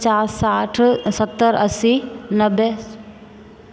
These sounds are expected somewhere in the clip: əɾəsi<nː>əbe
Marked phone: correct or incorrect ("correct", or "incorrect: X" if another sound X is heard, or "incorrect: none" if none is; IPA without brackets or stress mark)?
incorrect: n